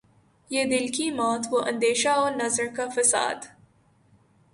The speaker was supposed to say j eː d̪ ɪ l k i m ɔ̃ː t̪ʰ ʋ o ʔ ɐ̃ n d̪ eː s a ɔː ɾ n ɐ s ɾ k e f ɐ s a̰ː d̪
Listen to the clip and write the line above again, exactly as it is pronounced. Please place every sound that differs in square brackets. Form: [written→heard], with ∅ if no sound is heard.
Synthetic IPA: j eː d̪ ɪ l k i m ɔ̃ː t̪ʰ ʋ o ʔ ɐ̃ n d̪ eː [s→ʃ] a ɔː ɾ n ɐ [s→z] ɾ k [e→a] f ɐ s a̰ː d̪